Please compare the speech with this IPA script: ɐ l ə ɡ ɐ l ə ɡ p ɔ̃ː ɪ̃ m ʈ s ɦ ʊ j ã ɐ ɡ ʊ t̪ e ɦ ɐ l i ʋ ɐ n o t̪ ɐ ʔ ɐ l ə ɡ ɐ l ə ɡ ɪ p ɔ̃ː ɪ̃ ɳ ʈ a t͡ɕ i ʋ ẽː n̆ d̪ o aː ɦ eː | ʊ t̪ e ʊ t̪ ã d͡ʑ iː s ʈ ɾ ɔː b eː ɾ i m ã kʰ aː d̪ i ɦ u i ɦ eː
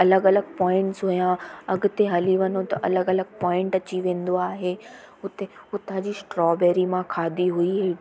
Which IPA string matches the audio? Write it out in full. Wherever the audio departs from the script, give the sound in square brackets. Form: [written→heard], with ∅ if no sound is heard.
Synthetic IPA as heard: ɐ l ə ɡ ɐ l ə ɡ p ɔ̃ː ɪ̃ [m→ɳ] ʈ s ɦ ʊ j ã ɐ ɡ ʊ t̪ e ɦ ɐ l i ʋ ɐ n o t̪ ɐ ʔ ɐ l ə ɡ ɐ l ə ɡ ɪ p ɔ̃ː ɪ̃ ɳ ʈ [a→ɐ] t͡ɕ i ʋ ẽː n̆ d̪ o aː ɦ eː | ʊ t̪ e ʊ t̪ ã d͡ʑ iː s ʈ ɾ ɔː b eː ɾ i m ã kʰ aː d̪ i ɦ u i ɦ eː